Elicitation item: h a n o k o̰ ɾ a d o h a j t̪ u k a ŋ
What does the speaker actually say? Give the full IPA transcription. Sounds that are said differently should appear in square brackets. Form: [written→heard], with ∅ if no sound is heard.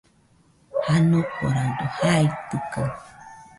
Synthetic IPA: h a n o k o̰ ɾ a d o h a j t̪ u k a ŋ